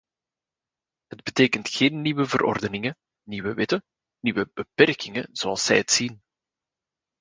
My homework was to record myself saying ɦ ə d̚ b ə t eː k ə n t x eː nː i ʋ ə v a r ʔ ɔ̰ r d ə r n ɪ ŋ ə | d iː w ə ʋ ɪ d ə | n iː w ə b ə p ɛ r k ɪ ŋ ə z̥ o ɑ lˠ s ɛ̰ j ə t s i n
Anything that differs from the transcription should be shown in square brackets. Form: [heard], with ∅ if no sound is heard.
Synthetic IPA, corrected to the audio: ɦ ə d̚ b ə t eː k ə n t x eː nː i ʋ ə v [ə] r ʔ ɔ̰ r d ə [∅] n ɪ ŋ ə | [n] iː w ə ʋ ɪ [t] ə | n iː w ə b ə p ɛ r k ɪ ŋ ə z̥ o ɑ lˠ s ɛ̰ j ə t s i n